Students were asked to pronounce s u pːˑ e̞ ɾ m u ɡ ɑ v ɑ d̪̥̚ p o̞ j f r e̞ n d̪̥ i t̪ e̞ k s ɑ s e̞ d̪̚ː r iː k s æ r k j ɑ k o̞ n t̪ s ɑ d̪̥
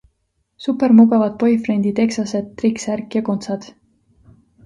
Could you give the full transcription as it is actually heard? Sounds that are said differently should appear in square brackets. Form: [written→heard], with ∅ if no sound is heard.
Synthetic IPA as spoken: s u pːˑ e̞ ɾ m u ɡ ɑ v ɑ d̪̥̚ p o̞ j f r e̞ n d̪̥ i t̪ e̞ k s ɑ s e̞ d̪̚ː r [iː→i] k s æ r k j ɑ k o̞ n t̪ s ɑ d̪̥